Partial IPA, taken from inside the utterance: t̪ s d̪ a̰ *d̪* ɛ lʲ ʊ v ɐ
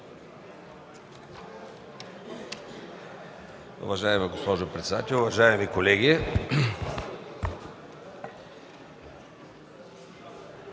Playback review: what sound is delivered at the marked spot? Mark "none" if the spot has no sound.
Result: t̪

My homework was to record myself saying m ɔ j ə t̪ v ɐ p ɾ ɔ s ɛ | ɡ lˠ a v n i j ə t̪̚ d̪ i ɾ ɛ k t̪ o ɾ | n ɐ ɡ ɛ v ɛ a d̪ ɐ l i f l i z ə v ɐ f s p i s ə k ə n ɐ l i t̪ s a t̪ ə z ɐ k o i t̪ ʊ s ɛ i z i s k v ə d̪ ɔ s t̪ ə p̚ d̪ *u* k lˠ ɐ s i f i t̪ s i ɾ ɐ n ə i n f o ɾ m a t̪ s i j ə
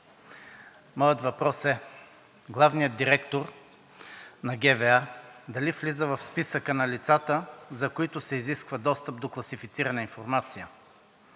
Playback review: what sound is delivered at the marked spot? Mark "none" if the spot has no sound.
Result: o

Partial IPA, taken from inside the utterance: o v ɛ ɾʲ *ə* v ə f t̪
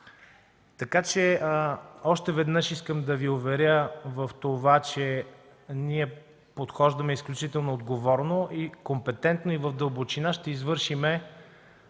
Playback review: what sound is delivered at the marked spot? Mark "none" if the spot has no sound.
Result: ə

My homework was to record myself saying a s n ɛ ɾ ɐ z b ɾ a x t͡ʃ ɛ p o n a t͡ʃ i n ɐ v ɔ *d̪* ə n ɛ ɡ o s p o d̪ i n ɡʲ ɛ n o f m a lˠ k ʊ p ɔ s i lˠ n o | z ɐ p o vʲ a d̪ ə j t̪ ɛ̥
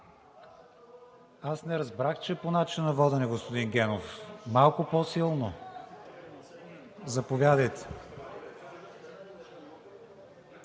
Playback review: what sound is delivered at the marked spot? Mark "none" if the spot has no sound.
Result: d̪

